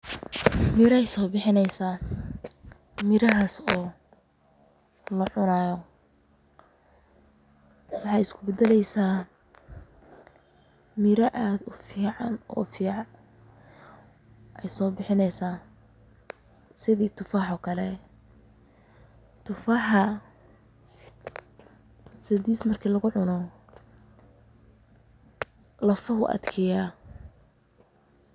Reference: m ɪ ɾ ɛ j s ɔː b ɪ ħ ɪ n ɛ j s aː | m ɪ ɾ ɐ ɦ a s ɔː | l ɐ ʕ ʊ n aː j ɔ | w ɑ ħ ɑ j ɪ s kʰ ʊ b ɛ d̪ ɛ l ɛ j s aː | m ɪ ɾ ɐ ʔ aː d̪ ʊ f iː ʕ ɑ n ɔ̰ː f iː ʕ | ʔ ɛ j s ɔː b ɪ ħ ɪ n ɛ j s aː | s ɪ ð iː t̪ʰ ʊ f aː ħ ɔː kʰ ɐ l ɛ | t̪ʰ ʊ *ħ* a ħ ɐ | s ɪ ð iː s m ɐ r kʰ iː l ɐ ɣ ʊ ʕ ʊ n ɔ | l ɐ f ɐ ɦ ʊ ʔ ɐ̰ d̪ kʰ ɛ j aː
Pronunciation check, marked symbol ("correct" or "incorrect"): incorrect